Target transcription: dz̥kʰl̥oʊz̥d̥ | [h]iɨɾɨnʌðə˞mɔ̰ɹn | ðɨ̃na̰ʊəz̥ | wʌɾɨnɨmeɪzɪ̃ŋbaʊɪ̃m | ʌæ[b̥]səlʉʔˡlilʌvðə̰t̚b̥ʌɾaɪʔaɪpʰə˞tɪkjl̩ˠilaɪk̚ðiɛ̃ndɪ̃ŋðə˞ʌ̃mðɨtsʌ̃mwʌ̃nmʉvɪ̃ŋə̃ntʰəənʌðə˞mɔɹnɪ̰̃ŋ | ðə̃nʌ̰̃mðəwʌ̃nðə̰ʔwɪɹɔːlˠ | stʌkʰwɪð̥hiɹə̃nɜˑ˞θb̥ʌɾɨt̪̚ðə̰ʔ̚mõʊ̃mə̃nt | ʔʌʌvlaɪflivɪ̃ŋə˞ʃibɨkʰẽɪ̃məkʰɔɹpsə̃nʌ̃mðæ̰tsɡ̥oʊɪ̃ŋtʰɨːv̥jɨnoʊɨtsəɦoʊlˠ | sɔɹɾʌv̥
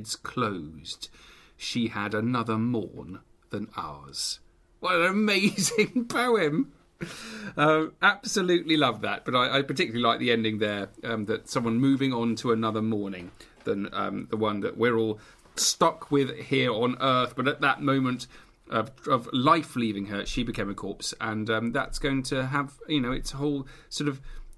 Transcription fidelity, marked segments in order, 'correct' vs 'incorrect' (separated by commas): incorrect, correct